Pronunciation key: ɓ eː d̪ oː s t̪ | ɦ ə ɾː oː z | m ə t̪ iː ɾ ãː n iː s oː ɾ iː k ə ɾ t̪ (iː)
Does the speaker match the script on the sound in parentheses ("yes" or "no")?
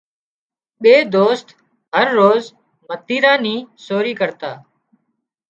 no